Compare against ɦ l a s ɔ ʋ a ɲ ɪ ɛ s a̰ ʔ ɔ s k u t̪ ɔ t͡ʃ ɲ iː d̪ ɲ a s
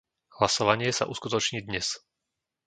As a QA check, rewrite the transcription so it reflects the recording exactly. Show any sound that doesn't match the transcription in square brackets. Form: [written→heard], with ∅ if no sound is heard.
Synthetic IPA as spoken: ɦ l a s ɔ ʋ a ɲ ɪ ɛ s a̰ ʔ [ɔ→u] s k u t̪ ɔ t͡ʃ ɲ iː d̪ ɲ [a→ɛ] s